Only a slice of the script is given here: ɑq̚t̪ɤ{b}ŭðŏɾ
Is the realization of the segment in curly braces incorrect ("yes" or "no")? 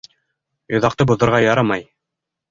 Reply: no